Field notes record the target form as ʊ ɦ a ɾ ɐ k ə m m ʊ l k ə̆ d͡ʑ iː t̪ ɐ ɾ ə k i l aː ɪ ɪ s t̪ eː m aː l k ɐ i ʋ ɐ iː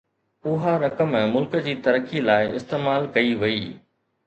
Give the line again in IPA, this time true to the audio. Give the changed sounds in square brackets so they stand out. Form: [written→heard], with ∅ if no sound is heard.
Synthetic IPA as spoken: ʊ ɦ a ɾ ɐ k ə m m ʊ l k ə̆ d͡ʑ iː t̪ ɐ ɾ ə k i l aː ɪ ɪ s t̪ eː m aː l k ɐ i ʋ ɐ iː